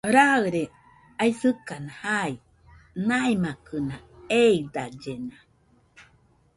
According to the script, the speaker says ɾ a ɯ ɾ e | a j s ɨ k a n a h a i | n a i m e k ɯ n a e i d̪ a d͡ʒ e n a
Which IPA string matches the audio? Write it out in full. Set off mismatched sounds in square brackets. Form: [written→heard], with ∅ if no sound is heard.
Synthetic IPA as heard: ɾ a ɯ ɾ e | a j s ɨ k a n a h a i | n a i m [e→a] k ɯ n a e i d̪ a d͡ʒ e n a

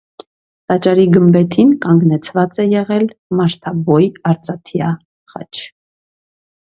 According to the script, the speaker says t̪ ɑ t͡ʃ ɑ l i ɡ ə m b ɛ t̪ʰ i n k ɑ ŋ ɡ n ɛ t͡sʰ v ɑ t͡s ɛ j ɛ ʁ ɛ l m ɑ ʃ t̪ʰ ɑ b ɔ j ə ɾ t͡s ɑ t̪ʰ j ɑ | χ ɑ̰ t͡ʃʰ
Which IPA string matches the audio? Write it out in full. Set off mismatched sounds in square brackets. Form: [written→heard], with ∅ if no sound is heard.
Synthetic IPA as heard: t̪ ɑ t͡ʃ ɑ [l→ɾ] i ɡ ə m b ɛ t̪ʰ i n k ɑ ŋ ɡ n ɛ t͡sʰ v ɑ t͡s ɛ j ɛ ʁ ɛ l m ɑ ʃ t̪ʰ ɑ b ɔ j [ə→ɑ] ɾ t͡s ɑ t̪ʰ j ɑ | χ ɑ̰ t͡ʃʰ

